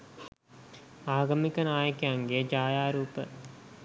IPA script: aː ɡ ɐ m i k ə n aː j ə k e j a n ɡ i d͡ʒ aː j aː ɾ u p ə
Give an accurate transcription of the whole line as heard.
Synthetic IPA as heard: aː ɡ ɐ m i k ə n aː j ə k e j a ŋ ɡ e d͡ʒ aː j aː ɾ uː p ə